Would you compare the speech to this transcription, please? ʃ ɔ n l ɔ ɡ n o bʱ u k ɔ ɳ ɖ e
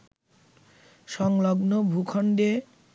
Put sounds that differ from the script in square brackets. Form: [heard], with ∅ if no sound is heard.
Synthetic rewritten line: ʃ ɔ [ŋ] l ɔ ɡ n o bʱ u [kʰ] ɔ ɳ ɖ e